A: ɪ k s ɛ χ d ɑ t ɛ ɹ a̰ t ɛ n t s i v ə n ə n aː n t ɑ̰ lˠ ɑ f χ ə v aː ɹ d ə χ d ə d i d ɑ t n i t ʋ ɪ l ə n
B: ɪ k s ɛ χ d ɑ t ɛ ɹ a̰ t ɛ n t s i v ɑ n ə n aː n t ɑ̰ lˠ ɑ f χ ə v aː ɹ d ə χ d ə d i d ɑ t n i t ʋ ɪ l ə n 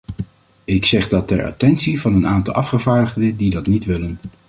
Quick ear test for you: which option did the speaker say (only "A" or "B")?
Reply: B